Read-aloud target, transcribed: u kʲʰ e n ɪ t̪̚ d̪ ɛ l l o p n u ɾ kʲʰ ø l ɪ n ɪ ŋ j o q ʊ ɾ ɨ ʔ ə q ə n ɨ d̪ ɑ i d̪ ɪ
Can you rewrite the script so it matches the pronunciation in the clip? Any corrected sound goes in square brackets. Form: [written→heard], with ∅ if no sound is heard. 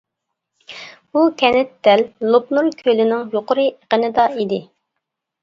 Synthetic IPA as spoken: u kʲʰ [e→ɛ] n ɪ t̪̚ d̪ ɛ l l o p n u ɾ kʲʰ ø l ɪ n ɪ ŋ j o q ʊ ɾ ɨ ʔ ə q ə n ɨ d̪ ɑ i d̪ ɪ